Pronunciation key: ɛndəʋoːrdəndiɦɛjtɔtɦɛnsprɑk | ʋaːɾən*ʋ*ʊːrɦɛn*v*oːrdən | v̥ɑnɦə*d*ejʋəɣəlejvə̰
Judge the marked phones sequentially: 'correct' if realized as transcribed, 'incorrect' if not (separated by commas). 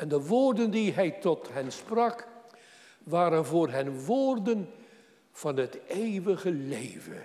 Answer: incorrect, incorrect, incorrect